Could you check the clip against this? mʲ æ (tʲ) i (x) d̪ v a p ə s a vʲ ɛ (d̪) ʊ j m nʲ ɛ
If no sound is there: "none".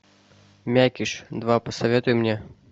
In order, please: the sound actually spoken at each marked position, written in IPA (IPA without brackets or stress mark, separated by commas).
kʲ, ʂ, t̪